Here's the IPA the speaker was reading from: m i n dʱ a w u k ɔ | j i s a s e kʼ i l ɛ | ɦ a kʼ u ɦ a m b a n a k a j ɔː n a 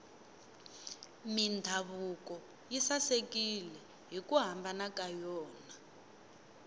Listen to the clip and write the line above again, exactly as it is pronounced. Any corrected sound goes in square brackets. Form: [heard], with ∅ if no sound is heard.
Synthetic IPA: m i n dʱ a [β] u k ɔ | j i s a s e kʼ i l ɛ | ɦ [i] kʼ u ɦ a m b a n a k a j ɔː n a